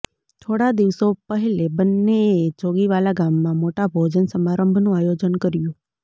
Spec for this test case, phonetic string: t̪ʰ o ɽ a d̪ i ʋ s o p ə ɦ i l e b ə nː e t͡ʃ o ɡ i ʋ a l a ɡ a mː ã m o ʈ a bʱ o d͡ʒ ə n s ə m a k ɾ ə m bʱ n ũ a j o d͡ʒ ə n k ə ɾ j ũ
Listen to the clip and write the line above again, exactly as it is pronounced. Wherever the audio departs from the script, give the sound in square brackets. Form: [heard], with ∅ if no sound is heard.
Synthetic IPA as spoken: t̪ʰ o ɽ a d̪ i ʋ s o p ə ɦ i l e b ə nː e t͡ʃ o ɡ i ʋ a l a ɡ a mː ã m o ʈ a bʱ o d͡ʒ ə n s ə m a [∅] ɾ ə m bʱ n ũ a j o d͡ʒ ə n k ə ɾ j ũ